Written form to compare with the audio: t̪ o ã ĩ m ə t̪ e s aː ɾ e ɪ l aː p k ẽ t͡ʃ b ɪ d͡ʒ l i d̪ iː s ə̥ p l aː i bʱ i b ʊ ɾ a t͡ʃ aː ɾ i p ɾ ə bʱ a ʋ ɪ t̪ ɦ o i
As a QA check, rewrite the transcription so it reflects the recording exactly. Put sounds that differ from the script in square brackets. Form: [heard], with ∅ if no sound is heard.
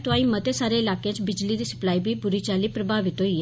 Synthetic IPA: t̪ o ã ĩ m ə t̪ e s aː ɾ e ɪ l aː [∅] k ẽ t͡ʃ b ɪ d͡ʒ l i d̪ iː s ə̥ p l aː i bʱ i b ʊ ɾ [i] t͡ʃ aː [l] i p ɾ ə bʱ a ʋ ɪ t̪ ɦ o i

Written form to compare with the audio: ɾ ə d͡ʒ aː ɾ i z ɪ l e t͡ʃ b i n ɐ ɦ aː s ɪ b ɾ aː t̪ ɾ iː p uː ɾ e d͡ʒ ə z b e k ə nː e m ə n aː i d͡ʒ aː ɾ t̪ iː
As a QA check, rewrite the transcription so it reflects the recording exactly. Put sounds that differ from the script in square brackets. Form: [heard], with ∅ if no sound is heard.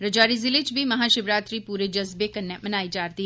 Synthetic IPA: ɾ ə d͡ʒ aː ɾ i z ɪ l e t͡ʃ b i [m] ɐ ɦ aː [ʃ] ɪ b ɾ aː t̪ ɾ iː p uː ɾ e d͡ʒ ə z b e k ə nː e m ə n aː i d͡ʒ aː ɾ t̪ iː

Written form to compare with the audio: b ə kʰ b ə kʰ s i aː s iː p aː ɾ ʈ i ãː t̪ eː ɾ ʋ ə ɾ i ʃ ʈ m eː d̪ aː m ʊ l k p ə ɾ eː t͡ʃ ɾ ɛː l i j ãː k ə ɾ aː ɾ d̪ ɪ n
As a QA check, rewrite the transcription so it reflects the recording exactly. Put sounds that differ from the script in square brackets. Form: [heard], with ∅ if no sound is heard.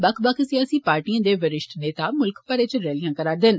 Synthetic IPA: b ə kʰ b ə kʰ s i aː s iː p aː ɾ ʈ i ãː [d̪] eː [∅] ʋ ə ɾ [ɪ] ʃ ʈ [n] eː [t̪] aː m ʊ l k p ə ɾ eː t͡ʃ ɾ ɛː l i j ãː k ə ɾ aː ɾ d̪ ɪ n

